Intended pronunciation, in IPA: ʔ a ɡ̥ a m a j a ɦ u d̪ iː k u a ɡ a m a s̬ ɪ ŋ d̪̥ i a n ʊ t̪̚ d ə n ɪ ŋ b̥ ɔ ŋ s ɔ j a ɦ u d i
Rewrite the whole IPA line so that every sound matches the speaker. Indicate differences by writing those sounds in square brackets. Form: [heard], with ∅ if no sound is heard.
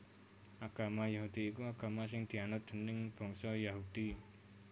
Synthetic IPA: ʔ a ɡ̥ a m a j a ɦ u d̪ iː k u a ɡ a m a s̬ ɪ ŋ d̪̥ i a n ʊ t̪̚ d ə n ɪ ŋ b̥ ɔ ŋ s ɔ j a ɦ u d i